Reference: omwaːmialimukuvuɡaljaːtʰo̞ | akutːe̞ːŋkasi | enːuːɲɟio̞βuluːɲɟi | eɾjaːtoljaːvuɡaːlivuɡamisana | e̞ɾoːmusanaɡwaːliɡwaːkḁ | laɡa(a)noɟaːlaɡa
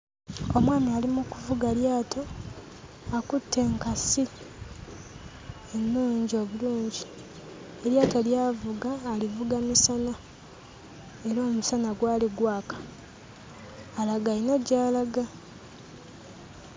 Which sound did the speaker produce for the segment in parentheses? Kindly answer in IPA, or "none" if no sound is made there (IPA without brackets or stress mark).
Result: i